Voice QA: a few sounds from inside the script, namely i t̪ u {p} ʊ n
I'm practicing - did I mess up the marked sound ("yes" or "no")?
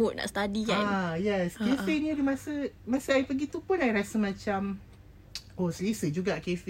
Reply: no